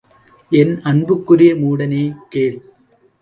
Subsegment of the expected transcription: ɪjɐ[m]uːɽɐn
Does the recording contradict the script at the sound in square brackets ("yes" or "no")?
no